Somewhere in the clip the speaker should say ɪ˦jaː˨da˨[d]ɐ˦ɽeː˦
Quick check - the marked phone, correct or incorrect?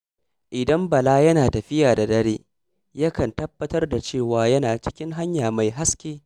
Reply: correct